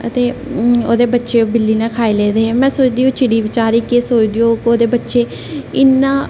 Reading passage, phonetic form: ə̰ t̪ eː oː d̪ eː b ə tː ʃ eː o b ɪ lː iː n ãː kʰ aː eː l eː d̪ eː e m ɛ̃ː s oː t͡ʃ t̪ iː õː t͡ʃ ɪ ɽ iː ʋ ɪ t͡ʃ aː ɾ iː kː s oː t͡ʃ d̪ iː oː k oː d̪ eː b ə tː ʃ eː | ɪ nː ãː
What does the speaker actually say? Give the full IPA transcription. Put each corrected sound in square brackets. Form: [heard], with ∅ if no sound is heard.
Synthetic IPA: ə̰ t̪ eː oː d̪ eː b ə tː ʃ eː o b ɪ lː iː n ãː kʰ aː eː l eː d̪ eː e m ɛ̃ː s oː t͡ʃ [d̪] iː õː t͡ʃ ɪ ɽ iː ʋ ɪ t͡ʃ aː ɾ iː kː s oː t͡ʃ d̪ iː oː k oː d̪ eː b ə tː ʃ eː | ɪ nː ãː